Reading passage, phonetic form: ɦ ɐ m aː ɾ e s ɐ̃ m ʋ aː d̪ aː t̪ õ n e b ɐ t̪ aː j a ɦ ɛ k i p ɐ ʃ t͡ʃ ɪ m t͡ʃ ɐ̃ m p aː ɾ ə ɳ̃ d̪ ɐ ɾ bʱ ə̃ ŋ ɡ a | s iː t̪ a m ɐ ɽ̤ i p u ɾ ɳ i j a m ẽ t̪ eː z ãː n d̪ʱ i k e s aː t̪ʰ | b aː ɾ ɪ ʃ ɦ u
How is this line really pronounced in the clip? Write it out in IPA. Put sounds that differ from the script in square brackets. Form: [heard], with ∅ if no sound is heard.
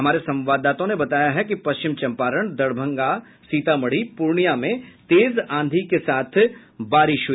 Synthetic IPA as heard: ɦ ɐ m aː ɾ e s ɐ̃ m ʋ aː d̪ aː t̪ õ n e b ɐ t̪ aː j a ɦ ɛ k i p ɐ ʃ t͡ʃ ɪ m t͡ʃ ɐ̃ m p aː ɾ ə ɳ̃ d̪ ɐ [ɽ] bʱ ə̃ ŋ ɡ a | s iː t̪ a m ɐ ɽ̤ i p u ɾ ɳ i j a m ẽ t̪ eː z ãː n d̪ʱ i k e s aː t̪ʰ | b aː ɾ ɪ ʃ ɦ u